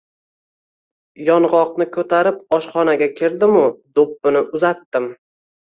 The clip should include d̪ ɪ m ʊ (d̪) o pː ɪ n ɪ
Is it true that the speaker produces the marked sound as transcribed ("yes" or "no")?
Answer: yes